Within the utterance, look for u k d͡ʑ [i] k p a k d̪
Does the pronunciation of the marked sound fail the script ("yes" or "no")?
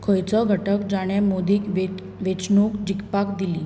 no